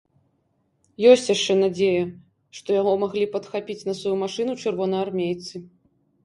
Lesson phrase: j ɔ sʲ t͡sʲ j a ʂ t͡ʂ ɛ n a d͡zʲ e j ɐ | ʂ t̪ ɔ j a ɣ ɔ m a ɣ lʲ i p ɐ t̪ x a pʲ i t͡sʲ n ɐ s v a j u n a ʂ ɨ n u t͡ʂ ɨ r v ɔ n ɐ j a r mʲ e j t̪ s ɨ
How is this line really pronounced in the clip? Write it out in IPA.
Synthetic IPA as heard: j ɔ sʲ t͡sʲ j a ʂ t͡ʂ ɛ n a d͡zʲ e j ɐ | ʂ t̪ ɔ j a ɣ ɔ m a ɣ lʲ i p ɐ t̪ x a pʲ i t͡sʲ n ɐ s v a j u m a ʂ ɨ n u t͡ʂ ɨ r v ɔ n ɐ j a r mʲ e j t̪ s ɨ